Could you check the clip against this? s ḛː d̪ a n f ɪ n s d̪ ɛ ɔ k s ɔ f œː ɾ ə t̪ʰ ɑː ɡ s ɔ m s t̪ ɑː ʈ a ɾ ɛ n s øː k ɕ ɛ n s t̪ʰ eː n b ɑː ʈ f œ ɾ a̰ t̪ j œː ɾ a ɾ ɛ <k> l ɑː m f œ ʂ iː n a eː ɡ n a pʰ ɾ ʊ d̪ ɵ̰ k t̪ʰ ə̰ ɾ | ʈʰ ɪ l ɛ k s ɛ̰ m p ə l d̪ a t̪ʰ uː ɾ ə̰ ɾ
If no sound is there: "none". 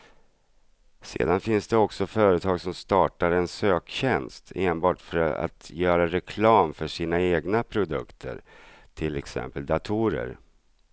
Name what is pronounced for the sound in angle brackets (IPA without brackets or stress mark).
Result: kʰ